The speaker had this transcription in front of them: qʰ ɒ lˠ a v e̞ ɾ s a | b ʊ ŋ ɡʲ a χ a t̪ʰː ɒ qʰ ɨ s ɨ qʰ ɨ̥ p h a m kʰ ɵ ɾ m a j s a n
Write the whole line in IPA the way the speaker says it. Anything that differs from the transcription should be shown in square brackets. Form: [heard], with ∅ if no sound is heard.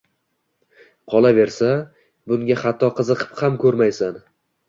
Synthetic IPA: qʰ ɒ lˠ a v e̞ ɾ s a | b ʊ ŋ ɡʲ a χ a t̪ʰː ɒ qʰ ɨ [z] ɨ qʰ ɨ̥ p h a m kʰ ɵ ɾ m a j s a n